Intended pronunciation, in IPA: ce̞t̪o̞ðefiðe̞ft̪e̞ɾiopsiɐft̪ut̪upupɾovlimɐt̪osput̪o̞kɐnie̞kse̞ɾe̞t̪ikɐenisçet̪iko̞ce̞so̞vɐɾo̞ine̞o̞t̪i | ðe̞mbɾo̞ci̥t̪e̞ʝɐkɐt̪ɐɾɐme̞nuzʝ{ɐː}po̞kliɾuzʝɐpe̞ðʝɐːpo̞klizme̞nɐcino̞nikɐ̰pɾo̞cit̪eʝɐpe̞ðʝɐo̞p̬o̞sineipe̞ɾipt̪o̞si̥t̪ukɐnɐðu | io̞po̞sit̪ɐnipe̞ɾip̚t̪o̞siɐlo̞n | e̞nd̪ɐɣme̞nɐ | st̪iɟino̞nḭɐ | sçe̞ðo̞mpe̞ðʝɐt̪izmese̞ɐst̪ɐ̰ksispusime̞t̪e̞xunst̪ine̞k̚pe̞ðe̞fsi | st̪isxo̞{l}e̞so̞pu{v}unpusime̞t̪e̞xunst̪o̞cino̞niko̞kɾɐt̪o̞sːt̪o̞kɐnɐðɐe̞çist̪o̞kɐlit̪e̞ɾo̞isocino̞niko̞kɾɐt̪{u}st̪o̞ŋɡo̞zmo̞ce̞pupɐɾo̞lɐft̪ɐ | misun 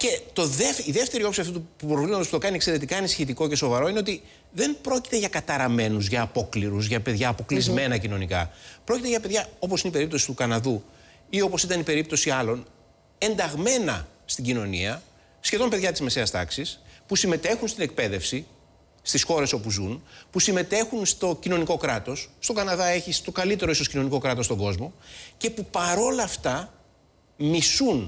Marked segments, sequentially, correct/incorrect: correct, incorrect, incorrect, incorrect

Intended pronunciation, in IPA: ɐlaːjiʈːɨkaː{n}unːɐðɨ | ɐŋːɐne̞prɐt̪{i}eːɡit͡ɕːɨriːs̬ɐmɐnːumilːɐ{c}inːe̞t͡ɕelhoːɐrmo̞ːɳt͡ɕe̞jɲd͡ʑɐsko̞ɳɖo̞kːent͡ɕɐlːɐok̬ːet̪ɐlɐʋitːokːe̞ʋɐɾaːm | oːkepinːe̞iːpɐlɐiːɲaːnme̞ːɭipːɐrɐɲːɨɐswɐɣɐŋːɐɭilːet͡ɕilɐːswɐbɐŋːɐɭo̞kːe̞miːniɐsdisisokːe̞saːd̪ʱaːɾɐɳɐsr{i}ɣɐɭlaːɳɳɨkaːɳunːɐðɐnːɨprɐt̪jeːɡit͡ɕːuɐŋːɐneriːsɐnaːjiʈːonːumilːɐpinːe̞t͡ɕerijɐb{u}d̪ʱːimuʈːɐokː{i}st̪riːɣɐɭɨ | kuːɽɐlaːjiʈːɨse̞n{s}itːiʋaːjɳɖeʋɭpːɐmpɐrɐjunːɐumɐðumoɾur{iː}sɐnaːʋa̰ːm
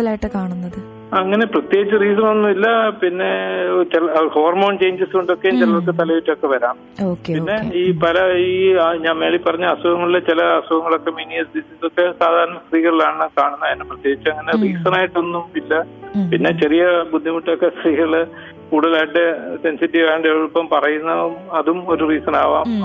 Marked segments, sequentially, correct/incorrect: incorrect, incorrect, incorrect, incorrect, correct, incorrect, correct, correct

